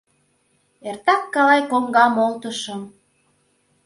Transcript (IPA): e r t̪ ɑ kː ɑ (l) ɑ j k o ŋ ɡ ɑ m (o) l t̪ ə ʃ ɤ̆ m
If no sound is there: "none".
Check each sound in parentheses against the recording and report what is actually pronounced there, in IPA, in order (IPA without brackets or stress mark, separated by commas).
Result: l, o